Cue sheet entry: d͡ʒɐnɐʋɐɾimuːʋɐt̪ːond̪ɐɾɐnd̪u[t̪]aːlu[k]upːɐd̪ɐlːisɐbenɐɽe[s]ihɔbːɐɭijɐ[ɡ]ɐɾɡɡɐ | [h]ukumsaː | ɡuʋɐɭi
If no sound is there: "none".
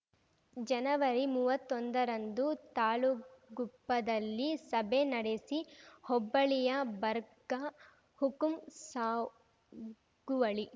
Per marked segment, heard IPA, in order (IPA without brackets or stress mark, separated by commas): t̪, ɡ, s, b, h